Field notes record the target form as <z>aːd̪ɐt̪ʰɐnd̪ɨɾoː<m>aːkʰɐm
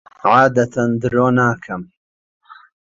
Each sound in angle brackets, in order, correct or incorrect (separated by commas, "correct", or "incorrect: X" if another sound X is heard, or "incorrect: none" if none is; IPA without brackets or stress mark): incorrect: ʕ, incorrect: n